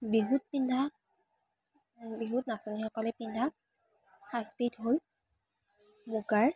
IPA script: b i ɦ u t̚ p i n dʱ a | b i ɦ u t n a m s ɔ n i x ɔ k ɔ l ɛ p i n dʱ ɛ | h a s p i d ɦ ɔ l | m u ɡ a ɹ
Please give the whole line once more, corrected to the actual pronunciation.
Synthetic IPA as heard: b i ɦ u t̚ p i n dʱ a | b i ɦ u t n a s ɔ n i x ɔ k ɔ l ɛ p i n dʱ a | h a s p i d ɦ o l | m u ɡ a ɹ